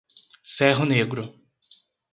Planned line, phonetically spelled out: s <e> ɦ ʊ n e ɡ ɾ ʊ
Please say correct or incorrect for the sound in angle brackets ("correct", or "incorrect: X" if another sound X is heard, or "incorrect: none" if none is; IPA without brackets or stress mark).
incorrect: ɛ